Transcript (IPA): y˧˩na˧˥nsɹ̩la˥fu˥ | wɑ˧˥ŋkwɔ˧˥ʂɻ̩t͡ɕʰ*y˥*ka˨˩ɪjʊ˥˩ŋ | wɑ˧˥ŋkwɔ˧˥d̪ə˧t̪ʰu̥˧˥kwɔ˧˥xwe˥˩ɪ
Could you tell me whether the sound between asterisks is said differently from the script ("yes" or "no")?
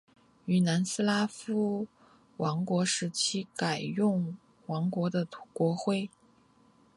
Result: yes